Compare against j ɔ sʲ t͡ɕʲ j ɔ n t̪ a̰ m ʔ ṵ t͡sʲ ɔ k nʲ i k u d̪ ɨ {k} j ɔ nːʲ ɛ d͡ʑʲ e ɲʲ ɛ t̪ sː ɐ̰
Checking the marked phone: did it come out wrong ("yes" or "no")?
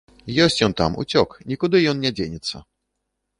yes